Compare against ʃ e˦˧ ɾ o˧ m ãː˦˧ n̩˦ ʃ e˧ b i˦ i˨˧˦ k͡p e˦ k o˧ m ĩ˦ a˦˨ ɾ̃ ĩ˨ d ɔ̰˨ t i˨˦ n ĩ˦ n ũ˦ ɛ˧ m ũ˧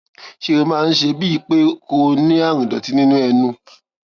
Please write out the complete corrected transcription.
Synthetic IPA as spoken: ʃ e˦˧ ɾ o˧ m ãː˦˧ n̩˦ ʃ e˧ b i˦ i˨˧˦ k͡p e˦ k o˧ n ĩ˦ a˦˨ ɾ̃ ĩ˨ d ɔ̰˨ t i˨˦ n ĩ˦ n ũ˦ ɛ˧ n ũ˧